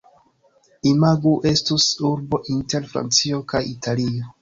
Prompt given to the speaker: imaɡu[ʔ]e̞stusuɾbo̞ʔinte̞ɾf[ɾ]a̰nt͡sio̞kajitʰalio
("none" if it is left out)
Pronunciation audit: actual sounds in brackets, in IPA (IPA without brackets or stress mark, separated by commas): ʔ, ɾ